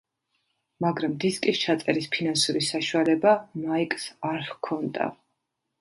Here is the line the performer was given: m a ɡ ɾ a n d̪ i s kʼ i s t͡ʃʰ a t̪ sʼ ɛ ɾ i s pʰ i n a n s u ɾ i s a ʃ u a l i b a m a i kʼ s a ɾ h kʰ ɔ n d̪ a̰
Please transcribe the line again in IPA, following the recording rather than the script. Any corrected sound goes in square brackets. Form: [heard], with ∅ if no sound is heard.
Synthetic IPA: m a ɡ ɾ a [m] d̪ i s kʼ i s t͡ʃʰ a t̪ sʼ ɛ ɾ i s pʰ i n a n s u ɾ i s a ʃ u a l [ɛ] b a m a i kʼ s a ɾ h kʰ ɔ n d̪ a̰